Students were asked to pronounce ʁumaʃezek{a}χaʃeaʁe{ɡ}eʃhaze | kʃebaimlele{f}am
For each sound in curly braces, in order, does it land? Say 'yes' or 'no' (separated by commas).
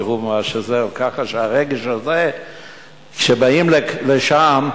yes, yes, no